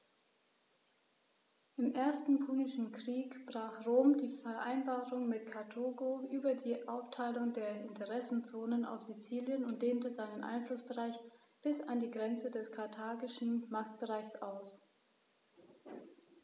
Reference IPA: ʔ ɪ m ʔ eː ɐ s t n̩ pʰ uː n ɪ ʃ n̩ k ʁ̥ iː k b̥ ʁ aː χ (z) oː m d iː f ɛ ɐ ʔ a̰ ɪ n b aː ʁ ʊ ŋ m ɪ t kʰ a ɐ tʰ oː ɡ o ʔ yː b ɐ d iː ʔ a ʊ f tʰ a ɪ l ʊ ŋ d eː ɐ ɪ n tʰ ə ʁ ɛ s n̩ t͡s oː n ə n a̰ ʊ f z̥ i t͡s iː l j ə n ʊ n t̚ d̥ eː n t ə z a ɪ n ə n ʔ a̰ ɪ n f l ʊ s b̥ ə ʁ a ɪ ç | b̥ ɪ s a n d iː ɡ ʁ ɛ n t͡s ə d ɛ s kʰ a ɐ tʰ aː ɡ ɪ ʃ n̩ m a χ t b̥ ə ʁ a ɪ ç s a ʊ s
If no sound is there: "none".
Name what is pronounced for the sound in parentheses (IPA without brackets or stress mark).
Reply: ʁ